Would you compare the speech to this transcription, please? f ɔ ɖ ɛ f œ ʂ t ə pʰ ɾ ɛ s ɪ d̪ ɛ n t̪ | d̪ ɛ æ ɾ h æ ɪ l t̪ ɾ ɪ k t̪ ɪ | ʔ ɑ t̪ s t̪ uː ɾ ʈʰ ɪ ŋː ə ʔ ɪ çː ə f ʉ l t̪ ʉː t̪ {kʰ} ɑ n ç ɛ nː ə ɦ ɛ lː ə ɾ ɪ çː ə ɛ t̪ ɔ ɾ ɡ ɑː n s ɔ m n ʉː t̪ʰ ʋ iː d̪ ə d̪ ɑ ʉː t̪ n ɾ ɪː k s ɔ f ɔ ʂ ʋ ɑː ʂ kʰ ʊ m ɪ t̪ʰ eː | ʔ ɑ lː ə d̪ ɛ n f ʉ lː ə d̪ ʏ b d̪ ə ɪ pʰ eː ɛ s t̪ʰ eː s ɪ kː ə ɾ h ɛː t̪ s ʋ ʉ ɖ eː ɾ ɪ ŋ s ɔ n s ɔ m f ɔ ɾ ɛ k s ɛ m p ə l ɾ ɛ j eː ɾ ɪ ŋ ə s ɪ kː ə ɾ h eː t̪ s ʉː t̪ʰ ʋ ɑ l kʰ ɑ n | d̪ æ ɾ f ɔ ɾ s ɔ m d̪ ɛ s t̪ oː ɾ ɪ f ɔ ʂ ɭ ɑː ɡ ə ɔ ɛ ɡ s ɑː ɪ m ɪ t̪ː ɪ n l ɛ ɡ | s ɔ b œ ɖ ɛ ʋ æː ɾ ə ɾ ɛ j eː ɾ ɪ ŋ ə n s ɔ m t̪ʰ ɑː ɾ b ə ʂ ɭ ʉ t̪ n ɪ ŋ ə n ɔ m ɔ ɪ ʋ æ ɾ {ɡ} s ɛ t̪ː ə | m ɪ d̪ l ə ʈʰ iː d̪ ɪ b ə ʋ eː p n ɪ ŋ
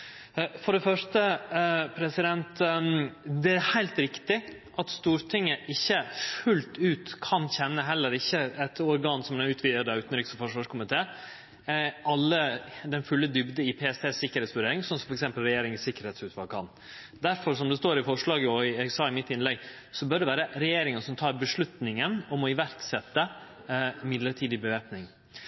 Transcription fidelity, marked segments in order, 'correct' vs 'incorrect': correct, incorrect: k

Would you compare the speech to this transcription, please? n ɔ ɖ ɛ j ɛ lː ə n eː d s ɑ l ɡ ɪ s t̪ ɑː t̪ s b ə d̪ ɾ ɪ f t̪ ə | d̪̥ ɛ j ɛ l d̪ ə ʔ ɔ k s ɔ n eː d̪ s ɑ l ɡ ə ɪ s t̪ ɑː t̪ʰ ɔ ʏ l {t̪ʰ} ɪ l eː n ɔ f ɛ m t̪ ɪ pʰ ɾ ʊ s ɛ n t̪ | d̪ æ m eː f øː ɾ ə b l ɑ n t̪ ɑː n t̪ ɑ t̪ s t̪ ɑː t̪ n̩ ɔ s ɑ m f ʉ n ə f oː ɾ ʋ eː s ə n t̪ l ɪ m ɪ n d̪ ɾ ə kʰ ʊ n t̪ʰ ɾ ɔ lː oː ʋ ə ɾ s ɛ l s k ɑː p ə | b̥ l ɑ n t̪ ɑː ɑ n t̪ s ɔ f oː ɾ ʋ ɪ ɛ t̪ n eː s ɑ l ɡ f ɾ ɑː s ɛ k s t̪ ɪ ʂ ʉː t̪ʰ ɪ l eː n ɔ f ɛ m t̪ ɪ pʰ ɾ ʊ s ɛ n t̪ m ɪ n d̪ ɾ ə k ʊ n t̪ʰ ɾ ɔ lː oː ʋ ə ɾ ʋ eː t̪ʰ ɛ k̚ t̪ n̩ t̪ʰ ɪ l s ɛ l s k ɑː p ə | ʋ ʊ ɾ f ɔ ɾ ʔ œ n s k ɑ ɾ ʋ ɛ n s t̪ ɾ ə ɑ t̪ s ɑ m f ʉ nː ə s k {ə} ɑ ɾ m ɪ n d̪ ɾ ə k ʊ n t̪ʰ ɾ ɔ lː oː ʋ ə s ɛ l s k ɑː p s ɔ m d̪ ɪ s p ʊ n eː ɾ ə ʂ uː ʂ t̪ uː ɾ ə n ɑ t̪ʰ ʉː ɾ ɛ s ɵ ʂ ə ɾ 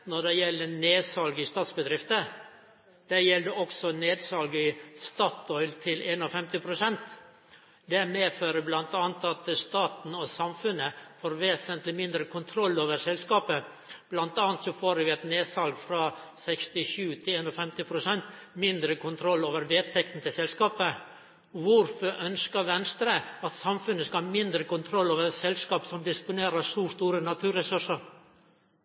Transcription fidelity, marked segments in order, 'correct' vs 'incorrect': correct, incorrect: ɑ

